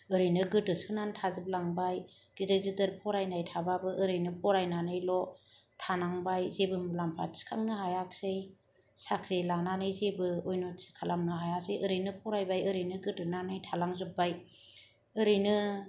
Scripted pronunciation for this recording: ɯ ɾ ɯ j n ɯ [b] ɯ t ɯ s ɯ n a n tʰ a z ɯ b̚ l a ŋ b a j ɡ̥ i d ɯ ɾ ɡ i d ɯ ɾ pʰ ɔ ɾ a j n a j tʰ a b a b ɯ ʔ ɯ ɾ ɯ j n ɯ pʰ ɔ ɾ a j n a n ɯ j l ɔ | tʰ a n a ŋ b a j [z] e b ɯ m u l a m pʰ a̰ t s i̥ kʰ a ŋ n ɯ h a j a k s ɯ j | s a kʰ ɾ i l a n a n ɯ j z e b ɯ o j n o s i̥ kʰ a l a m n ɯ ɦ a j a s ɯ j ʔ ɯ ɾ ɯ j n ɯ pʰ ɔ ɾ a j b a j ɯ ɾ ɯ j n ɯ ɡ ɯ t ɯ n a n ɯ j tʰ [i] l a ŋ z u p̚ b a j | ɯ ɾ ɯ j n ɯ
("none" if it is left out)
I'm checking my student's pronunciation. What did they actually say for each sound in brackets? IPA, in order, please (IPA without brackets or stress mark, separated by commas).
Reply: ɡ, z, a